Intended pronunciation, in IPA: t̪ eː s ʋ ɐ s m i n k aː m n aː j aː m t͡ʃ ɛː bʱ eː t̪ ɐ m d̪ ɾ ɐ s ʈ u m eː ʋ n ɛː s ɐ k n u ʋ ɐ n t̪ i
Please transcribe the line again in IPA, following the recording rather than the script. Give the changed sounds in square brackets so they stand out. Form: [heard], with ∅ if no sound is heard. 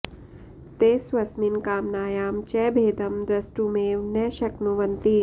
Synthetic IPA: t̪ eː s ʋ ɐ s m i n k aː m n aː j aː m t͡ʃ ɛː bʱ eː [d̪] ɐ m d̪ ɾ ɐ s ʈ u m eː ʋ n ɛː [ʃ] ɐ k n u ʋ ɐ n t̪ i